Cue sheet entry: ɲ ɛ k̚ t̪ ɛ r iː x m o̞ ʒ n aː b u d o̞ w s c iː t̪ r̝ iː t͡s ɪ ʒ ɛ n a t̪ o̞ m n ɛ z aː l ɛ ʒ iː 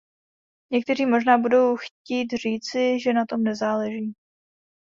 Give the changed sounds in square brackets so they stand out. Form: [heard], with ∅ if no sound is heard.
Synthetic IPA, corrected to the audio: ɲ ɛ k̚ t̪ ɛ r iː [∅] m o̞ ʒ n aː b u d o̞ w [x] c iː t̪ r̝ iː t͡s ɪ ʒ ɛ n a t̪ o̞ m n ɛ z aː l ɛ ʒ iː